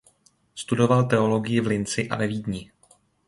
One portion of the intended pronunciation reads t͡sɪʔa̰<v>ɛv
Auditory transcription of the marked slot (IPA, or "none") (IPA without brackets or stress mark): v